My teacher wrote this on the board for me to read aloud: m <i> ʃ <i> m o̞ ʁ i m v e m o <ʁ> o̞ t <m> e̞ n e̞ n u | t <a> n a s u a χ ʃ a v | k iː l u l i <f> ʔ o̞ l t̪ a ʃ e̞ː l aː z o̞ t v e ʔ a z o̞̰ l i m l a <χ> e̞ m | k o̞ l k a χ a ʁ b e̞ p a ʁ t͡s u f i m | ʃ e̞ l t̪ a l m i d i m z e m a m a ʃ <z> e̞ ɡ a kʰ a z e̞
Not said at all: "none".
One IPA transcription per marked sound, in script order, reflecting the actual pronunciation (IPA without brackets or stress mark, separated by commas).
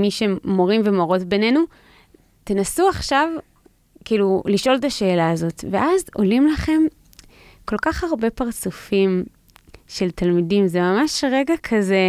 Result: i, e, ʁ, b, e, ʃ, χ, ʁ